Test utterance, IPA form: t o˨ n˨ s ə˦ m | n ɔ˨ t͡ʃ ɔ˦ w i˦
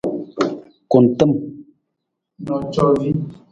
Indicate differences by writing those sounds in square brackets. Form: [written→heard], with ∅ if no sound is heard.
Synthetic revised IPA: [t→k] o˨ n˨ [s→t] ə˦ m | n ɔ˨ t͡ʃ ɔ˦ [w→v] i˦